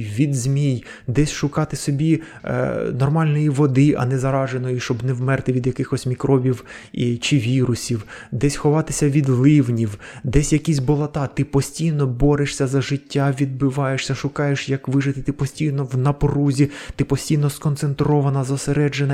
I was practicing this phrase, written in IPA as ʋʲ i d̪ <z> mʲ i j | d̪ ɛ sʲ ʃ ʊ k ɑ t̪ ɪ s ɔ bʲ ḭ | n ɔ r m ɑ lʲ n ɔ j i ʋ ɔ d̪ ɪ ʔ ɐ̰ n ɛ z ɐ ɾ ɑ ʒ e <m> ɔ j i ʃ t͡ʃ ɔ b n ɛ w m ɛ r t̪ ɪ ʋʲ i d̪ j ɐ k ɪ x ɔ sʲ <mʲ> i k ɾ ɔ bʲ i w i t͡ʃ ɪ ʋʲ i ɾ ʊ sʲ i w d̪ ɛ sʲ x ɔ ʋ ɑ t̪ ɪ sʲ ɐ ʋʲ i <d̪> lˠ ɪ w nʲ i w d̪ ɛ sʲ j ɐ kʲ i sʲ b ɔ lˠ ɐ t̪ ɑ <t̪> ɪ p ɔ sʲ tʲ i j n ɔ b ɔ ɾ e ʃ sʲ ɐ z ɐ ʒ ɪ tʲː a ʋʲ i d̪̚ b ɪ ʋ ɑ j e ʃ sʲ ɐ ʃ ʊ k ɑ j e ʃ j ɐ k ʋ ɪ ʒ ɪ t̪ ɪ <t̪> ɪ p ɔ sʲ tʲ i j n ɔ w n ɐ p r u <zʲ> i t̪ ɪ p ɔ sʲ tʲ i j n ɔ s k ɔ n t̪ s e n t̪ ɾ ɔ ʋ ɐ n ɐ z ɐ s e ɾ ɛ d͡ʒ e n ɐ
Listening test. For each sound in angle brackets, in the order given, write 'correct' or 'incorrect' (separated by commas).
correct, incorrect, correct, correct, correct, correct, correct